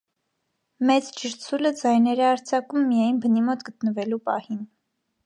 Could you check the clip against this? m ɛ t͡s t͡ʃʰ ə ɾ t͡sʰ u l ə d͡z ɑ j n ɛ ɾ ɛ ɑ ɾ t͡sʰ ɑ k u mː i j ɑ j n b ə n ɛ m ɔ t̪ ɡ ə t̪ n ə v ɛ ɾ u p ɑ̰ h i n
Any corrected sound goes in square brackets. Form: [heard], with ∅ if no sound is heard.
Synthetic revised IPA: m ɛ t͡s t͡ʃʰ ə ɾ t͡sʰ u l ə d͡z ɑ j n ɛ ɾ ɛ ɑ ɾ t͡sʰ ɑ k u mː i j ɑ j n b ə n [i] m ɔ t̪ ɡ ə t̪ n ə v ɛ [l] u p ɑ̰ h i n